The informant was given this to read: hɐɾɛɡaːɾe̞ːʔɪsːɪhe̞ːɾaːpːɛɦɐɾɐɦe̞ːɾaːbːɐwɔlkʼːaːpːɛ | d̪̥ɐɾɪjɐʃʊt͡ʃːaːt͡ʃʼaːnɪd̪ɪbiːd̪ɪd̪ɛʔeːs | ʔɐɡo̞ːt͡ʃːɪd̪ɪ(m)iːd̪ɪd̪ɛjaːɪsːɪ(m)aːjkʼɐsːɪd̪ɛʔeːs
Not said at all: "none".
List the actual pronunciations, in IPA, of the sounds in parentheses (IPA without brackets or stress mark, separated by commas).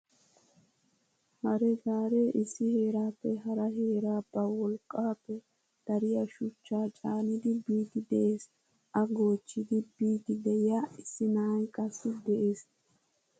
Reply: b, n